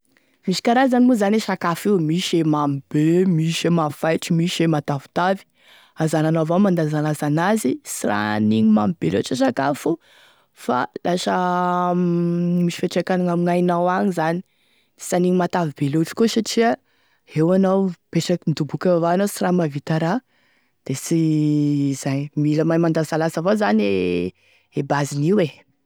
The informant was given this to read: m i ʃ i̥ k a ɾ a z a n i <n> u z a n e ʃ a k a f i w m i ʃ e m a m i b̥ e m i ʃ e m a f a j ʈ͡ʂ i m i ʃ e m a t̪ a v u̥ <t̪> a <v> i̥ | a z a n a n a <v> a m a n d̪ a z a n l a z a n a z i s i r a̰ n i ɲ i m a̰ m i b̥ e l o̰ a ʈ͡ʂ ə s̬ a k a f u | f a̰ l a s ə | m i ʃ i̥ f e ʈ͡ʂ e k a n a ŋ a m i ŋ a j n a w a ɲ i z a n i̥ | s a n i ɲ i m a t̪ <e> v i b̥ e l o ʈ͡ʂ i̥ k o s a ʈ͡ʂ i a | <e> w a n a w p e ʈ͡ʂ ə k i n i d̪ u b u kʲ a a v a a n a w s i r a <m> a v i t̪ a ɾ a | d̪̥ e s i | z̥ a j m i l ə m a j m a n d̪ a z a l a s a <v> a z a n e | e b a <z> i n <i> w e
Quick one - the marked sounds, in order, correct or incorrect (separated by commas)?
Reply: incorrect, correct, correct, correct, incorrect, correct, correct, correct, correct, correct